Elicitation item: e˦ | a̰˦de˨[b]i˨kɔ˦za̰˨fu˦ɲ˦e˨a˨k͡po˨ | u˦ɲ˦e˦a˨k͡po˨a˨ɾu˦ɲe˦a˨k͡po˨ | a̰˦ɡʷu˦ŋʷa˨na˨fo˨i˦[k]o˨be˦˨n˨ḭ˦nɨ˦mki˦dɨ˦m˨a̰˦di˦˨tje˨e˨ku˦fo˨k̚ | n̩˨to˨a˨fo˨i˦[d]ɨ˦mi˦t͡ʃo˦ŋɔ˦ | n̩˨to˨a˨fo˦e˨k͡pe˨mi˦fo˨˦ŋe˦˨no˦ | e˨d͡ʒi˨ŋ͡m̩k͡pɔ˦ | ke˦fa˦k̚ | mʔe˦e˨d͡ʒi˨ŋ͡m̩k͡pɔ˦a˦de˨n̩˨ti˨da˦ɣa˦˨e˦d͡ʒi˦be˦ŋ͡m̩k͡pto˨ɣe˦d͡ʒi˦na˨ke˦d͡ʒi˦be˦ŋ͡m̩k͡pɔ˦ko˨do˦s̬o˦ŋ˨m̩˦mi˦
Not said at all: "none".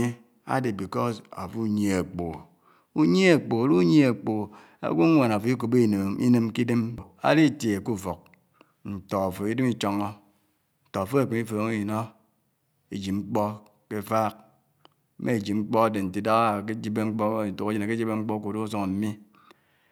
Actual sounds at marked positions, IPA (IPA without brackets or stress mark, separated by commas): b, k, d